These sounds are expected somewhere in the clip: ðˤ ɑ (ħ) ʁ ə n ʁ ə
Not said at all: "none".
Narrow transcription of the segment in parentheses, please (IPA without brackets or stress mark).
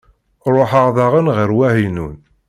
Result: none